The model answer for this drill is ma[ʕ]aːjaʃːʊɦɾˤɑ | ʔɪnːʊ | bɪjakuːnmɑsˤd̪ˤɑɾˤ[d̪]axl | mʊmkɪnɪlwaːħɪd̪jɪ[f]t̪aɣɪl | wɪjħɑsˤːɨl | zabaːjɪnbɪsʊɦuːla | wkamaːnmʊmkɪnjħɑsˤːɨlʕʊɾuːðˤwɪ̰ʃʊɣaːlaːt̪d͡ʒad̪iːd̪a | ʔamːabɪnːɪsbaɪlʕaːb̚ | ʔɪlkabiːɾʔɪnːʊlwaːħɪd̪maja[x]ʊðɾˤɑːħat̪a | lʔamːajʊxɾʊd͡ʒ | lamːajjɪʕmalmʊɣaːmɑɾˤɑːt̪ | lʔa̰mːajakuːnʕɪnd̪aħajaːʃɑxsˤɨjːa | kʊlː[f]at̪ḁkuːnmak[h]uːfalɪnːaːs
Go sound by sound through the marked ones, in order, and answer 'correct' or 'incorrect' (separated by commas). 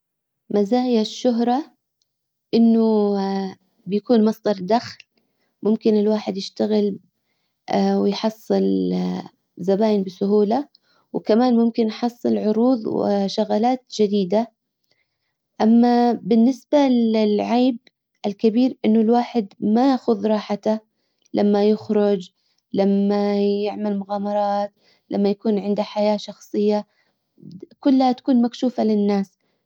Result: incorrect, correct, incorrect, correct, incorrect, incorrect